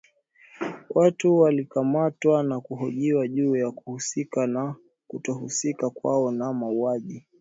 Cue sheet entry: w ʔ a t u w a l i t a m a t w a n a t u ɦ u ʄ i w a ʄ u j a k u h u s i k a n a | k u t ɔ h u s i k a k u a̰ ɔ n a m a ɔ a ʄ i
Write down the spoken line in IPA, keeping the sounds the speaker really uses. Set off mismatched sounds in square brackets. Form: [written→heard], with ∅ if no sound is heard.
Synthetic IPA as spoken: w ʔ a t u w a l i [t→k] a m a t w a n a [t→k] u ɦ [u→ɔ] ʄ i w a ʄ [u→uː] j a k u h u s i k a n a | k u t ɔ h u s i k a k [u→w] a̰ ɔ n a m a [ɔ→u] a ʄ i